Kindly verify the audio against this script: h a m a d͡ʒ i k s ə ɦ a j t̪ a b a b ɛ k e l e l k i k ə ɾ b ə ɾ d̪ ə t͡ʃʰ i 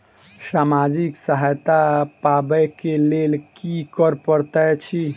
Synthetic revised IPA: s a m a d͡ʒ i k s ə ɦ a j t̪ a p a b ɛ k e l e l k i k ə ɾ p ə ɾ t̪ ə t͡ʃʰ i